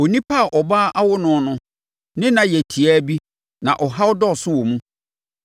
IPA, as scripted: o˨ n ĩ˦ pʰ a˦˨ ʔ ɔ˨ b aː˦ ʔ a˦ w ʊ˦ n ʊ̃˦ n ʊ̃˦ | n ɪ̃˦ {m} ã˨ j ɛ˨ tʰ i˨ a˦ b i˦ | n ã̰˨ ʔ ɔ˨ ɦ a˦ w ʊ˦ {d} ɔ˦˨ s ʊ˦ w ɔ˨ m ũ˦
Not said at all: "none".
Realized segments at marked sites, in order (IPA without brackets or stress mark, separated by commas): n, d